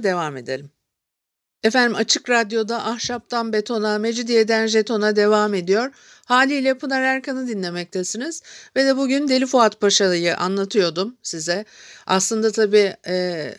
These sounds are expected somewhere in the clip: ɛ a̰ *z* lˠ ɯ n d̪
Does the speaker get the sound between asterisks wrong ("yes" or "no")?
yes